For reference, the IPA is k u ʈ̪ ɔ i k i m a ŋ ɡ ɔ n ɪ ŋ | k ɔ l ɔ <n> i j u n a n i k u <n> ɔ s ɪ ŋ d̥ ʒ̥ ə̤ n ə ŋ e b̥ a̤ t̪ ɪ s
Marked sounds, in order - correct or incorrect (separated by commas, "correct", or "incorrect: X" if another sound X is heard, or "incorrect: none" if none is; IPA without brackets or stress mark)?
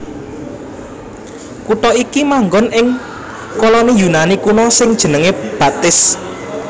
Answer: correct, correct